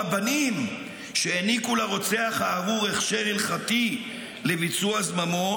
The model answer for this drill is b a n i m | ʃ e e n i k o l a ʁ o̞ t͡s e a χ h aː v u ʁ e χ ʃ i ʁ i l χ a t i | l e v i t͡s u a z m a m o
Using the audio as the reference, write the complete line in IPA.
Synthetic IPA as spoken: b a n i m | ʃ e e n i k u l a ʁ o̞ t͡s e a χ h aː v u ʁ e χ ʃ e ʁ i l χ a t i | l e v i t͡s u a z m a m o